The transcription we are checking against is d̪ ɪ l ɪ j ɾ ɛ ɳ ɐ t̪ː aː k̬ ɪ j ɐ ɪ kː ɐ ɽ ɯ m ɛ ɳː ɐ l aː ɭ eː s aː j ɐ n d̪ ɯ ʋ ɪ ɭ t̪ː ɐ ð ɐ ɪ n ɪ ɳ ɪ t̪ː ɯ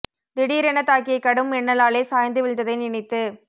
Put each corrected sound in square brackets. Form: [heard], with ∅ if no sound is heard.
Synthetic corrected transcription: d̪ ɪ [ɽ] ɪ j ɾ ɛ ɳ ɐ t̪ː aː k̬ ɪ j ɐ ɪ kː ɐ ɽ ɯ m ɛ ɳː ɐ l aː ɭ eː s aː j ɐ n d̪ ɯ ʋ ɪ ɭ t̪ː ɐ ð ɐ ɪ n ɪ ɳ ɪ t̪ː ɯ

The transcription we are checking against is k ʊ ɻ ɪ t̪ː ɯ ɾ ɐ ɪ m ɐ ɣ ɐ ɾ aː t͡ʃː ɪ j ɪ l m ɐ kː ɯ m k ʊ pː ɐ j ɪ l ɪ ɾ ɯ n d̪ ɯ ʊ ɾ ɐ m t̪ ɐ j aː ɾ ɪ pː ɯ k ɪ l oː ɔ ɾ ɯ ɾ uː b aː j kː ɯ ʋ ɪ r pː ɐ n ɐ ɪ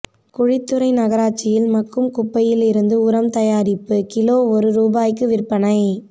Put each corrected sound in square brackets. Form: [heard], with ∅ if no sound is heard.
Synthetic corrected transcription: k ʊ ɻ ɪ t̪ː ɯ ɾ ɐ ɪ [n] ɐ ɣ ɐ ɾ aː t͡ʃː ɪ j ɪ l m ɐ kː ɯ m k ʊ pː ɐ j ɪ l ɪ ɾ ɯ n d̪ ɯ ʊ ɾ ɐ m t̪ ɐ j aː ɾ ɪ pː ɯ k ɪ l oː ɔ ɾ ɯ ɾ uː b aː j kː ɯ ʋ ɪ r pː ɐ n ɐ ɪ

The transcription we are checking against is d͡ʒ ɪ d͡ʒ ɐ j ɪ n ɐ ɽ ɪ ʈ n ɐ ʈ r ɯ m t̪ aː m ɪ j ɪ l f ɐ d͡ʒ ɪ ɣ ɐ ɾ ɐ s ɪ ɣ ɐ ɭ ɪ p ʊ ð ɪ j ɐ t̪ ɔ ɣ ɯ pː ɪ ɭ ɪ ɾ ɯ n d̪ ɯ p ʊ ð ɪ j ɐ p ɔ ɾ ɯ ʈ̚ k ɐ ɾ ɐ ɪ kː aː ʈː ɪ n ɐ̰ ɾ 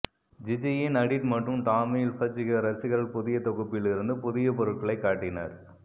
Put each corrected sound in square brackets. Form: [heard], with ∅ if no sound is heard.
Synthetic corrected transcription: d͡ʒ ɪ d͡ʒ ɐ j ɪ n ɐ ɽ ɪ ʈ [m] ɐ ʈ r ɯ m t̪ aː m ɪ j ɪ l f ɐ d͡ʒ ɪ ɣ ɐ ɾ ɐ s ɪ ɣ ɐ ɭ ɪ p ʊ ð ɪ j ɐ t̪ ɔ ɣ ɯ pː ɪ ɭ ɪ ɾ ɯ n d̪ ɯ p ʊ ð ɪ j ɐ p ɔ ɾ ɯ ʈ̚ k ɐ [ɭ] ɐ ɪ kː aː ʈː ɪ n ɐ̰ ɾ

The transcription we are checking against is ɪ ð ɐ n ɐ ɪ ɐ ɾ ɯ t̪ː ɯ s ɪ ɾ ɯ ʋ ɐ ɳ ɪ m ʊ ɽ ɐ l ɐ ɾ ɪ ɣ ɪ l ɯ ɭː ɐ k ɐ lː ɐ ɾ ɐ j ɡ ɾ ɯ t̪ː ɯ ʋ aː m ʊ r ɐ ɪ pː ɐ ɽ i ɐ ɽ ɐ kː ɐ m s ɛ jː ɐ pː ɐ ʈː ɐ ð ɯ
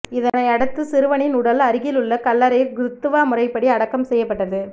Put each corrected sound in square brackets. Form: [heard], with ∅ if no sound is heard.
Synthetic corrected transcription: ɪ ð ɐ n ɐ ɪ ɐ [ɽ] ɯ t̪ː ɯ s ɪ ɾ ɯ ʋ ɐ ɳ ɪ [n] ʊ ɽ ɐ l ɐ ɾ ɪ ɣ ɪ l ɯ ɭː ɐ k ɐ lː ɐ ɾ ɐ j ɡ ɾ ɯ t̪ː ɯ ʋ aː m ʊ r ɐ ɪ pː ɐ ɽ i ɐ ɽ ɐ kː ɐ m s ɛ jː ɐ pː ɐ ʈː ɐ ð ɯ

